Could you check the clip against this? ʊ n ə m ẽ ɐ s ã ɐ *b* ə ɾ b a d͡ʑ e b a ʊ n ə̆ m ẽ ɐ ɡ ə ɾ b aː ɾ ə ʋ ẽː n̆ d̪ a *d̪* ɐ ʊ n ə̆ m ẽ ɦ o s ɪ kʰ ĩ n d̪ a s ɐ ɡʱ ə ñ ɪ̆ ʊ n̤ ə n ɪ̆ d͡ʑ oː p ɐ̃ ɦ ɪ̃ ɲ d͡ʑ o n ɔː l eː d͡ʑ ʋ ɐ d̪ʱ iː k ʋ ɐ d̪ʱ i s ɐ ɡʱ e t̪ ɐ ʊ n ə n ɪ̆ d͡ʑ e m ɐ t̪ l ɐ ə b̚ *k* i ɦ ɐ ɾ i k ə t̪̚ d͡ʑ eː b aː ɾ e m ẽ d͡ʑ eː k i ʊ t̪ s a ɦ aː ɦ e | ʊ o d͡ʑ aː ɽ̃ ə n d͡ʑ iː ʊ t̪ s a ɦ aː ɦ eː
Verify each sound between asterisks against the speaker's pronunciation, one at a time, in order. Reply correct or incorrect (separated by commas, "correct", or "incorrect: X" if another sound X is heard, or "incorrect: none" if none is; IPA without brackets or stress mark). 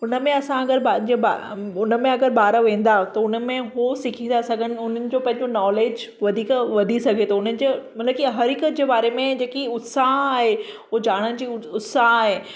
incorrect: ɡ, incorrect: t̪, correct